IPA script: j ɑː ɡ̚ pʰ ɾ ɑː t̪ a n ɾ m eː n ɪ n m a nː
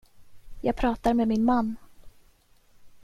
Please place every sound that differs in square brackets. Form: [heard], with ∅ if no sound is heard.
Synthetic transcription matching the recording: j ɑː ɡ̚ pʰ ɾ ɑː t̪ a [∅] ɾ m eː [m] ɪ n m a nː